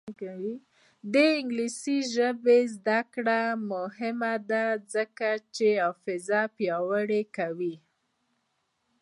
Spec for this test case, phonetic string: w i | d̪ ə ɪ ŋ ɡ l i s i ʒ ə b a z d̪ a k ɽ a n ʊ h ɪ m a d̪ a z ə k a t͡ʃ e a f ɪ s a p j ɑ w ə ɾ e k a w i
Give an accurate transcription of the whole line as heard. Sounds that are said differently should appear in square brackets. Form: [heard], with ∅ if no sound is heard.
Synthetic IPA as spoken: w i | d̪ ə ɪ ŋ ɡ l i s i ʒ ə b [e] z d̪ a k ɽ a [m] ʊ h ɪ m a d̪ a z ə k a t͡ʃ e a f ɪ [z] a p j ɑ w ə [ɽ] e k a w i